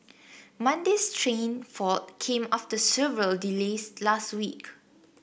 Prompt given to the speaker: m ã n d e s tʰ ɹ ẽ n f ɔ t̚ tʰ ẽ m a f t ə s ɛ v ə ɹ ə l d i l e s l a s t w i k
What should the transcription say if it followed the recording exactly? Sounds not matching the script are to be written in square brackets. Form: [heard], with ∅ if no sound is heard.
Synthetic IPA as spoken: m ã n d e s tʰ ɹ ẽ n f ɔ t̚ [kʰ] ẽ m a f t ə s ɛ v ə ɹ ə l d i l e s l a s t w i k